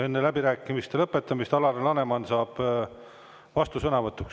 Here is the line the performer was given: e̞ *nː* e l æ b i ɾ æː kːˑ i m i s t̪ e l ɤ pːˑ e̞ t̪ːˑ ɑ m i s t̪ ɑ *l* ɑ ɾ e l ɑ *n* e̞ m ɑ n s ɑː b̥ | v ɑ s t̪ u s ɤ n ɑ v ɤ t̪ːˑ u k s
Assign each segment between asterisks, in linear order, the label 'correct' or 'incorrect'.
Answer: correct, correct, correct

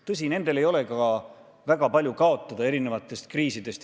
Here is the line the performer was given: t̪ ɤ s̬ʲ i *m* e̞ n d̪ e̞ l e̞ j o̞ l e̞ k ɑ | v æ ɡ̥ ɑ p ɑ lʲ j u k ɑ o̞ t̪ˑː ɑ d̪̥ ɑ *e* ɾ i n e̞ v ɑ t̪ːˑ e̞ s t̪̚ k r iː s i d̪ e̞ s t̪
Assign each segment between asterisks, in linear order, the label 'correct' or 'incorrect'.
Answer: incorrect, correct

